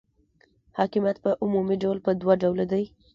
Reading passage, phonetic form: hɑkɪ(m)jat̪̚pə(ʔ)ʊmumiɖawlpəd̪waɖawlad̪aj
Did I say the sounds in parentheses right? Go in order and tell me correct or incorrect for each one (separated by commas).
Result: correct, correct